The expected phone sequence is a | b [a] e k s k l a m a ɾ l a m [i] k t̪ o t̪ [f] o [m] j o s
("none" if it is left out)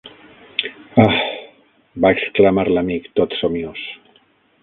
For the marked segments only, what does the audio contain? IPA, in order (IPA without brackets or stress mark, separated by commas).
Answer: a, i, s, m